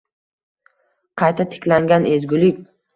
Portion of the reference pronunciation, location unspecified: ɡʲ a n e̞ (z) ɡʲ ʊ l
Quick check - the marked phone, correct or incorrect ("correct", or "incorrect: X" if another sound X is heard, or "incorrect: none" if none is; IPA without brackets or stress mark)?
correct